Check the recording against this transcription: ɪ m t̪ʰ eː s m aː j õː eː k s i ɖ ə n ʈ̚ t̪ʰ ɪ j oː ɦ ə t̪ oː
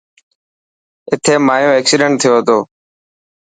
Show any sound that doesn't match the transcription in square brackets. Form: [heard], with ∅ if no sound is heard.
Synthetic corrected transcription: ɪ [∅] t̪ʰ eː [∅] m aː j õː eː k s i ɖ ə [ɳ] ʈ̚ t̪ʰ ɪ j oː ɦ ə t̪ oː